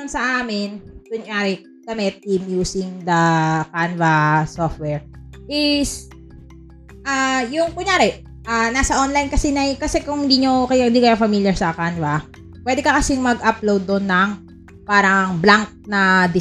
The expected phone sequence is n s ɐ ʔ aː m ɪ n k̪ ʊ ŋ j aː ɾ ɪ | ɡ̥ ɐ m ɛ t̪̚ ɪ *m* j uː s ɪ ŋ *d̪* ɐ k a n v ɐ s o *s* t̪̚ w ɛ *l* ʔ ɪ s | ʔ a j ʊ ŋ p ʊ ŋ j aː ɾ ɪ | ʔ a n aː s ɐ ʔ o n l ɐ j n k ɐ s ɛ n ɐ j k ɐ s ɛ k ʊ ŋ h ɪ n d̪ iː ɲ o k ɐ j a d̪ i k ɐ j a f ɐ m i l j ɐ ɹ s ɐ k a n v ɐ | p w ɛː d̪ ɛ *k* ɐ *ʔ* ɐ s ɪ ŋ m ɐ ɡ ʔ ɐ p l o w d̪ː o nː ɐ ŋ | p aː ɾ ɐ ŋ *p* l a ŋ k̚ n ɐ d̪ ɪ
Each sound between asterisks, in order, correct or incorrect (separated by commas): correct, correct, incorrect, incorrect, correct, incorrect, incorrect